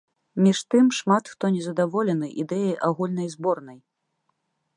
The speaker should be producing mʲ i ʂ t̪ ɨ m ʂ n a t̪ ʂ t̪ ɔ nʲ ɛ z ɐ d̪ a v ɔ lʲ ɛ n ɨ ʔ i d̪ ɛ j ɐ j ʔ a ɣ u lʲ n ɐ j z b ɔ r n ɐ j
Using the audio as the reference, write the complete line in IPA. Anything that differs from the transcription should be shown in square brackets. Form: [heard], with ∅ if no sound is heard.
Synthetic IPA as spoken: mʲ i ʂ t̪ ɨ m ʂ [m] a t̪ [x] t̪ ɔ nʲ ɛ z ɐ d̪ a v ɔ lʲ ɛ n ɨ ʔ i d̪ ɛ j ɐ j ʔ a ɣ u lʲ n ɐ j z b ɔ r n ɐ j